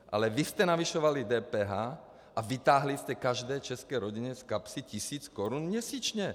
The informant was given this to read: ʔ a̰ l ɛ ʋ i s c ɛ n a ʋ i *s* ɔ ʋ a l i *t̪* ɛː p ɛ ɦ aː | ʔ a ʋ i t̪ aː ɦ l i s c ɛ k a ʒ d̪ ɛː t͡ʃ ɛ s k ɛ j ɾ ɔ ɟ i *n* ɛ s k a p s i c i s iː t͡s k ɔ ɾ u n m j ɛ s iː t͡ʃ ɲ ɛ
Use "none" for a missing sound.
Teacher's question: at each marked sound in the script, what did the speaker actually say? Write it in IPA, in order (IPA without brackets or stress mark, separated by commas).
ʃ, d̪, ɲ